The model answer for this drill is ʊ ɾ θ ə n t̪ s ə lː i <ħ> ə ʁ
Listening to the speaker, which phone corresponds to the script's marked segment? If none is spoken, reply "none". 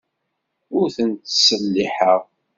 ħ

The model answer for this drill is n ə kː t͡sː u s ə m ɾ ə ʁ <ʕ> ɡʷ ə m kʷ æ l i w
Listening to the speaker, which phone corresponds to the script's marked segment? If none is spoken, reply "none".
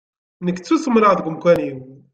ð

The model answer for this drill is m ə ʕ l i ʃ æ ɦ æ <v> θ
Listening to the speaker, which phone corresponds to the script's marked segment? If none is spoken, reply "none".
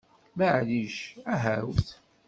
w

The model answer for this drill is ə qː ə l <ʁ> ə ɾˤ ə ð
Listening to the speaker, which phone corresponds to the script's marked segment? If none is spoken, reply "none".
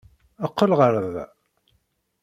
ʁ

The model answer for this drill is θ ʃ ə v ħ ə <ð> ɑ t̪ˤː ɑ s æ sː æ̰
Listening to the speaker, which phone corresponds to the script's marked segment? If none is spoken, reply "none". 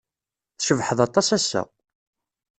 ð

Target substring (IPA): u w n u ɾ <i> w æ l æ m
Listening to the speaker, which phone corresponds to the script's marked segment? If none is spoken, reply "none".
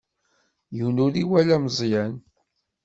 i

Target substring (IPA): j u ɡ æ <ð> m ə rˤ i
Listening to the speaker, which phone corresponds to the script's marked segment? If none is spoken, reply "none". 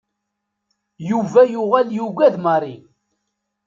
ð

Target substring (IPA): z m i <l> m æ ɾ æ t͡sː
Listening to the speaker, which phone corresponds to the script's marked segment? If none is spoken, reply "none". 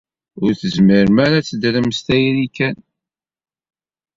ɾ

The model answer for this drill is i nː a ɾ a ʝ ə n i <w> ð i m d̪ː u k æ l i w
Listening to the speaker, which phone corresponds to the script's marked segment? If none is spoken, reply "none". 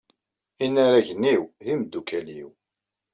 w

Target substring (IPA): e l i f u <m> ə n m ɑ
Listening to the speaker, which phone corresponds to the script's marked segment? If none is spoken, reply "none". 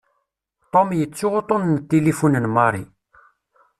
n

